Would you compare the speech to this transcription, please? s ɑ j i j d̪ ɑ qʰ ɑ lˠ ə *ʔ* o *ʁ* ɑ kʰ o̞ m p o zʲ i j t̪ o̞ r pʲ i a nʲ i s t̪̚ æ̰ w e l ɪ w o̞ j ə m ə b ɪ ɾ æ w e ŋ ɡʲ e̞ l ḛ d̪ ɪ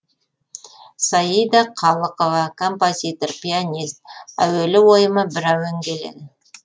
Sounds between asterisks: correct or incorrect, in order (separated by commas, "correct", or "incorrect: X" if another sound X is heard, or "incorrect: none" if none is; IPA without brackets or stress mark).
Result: incorrect: q, incorrect: v